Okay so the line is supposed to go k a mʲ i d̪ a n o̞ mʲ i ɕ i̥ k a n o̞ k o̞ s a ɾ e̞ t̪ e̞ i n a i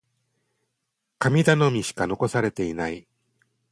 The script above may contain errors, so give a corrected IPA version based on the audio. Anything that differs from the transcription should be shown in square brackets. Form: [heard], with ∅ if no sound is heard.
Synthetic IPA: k a mʲ i d̪ a n o̞ mʲ i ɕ i̥ k a n o̞ k o̞ s a ɾ e̞ t̪ e̞ i n a i